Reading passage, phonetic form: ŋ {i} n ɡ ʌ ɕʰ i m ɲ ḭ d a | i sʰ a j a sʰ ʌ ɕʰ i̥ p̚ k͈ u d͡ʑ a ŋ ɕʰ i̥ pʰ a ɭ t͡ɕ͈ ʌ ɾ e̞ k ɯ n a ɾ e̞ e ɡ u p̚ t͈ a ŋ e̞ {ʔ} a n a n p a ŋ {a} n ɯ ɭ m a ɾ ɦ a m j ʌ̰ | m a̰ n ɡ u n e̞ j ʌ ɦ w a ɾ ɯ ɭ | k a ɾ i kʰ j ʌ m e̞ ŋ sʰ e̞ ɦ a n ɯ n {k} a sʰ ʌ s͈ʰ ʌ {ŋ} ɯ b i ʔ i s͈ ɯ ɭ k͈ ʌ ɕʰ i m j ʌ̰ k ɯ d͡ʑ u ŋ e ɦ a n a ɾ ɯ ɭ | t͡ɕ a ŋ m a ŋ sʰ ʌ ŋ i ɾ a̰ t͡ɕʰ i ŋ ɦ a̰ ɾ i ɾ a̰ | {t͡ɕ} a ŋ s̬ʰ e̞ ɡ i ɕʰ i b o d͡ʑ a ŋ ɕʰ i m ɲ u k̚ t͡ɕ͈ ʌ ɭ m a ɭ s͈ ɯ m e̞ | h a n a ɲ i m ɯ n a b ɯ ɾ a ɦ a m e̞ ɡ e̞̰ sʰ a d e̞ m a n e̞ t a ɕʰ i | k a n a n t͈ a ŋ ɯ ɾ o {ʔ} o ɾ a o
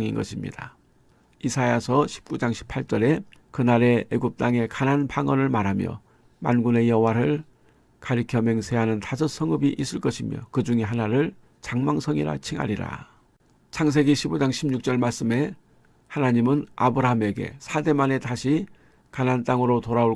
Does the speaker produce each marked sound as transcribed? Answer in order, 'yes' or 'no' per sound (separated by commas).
yes, no, no, no, yes, no, no